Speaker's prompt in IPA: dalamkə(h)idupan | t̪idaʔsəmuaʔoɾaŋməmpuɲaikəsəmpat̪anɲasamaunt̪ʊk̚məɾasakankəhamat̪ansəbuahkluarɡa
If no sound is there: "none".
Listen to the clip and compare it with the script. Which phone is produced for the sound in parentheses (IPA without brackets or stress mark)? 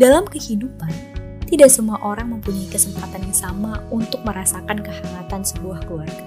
h